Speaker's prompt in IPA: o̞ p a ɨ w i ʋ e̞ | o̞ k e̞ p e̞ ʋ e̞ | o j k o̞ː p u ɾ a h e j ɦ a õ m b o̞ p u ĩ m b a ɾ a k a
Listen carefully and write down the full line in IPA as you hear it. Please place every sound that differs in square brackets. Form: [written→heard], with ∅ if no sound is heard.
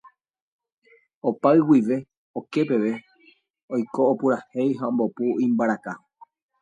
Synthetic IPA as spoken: o̞ p a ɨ w i ʋ e̞ | o̞ k e̞ p e̞ ʋ e̞ | o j k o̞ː p u ɾ a h e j ɦ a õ m b o̞ p u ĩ m b a ɾ a k a